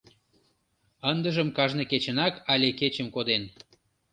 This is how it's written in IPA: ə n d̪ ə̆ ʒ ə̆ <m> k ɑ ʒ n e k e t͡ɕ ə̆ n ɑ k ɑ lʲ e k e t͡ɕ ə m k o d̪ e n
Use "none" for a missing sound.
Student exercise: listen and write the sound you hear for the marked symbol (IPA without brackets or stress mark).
m